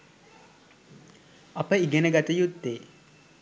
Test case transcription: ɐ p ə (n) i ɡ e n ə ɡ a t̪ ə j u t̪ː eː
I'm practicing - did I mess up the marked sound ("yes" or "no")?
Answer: yes